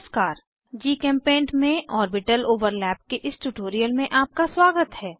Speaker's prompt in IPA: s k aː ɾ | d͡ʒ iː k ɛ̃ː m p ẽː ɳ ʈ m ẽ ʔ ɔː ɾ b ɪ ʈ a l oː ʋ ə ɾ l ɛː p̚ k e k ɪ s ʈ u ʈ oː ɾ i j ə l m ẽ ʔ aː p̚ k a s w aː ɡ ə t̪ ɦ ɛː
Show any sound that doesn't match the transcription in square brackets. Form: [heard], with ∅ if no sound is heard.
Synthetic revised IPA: s k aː ɾ | d͡ʒ iː k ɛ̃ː m p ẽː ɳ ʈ m ẽ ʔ ɔː ɾ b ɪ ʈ [ə] l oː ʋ ə ɾ l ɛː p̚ k e [ʔ] ɪ s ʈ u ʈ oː ɾ i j ə l m ẽ ʔ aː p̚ k a s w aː ɡ ə t̪ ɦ ɛː